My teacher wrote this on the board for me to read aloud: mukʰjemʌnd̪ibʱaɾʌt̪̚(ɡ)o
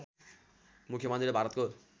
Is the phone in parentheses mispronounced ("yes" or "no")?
yes